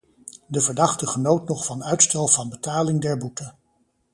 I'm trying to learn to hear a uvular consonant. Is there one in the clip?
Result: yes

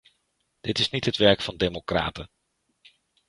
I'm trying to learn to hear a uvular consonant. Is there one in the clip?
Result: no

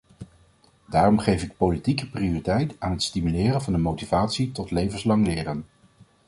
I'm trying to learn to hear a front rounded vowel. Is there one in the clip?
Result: yes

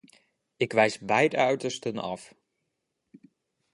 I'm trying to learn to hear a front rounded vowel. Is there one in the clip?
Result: yes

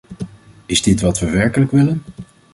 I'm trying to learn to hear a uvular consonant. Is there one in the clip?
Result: no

